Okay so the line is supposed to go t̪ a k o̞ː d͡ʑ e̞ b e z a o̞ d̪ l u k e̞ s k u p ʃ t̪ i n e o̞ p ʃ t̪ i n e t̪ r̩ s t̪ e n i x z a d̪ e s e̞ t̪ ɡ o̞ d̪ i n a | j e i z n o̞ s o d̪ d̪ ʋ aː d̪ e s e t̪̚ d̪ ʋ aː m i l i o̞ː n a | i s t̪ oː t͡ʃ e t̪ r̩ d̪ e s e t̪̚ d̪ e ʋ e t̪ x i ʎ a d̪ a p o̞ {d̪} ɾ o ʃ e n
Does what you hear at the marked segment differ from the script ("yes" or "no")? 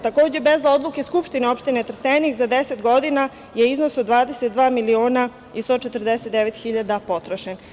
yes